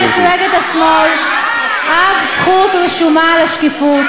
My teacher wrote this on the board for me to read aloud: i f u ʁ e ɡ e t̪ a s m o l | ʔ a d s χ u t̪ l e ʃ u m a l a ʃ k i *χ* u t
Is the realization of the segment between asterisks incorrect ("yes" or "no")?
yes